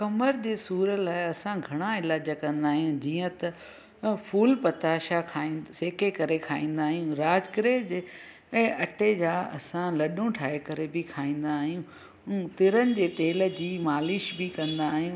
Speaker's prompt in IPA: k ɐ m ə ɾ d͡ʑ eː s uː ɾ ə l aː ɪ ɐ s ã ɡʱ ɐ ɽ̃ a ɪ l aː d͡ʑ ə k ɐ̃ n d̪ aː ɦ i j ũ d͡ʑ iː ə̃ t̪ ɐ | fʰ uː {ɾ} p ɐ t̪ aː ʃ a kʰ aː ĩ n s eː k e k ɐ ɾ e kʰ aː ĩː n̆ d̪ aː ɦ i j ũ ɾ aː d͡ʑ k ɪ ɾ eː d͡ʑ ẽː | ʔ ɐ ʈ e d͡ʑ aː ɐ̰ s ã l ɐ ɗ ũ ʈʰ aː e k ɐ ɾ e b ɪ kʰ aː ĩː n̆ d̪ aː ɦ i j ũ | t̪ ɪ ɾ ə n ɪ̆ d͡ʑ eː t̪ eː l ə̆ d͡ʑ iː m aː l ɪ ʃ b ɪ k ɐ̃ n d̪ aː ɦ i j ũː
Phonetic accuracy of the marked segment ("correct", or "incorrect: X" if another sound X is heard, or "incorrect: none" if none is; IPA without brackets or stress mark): incorrect: l